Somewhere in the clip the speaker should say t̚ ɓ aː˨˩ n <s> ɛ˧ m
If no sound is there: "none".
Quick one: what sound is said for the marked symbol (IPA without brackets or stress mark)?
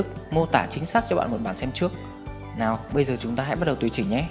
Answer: s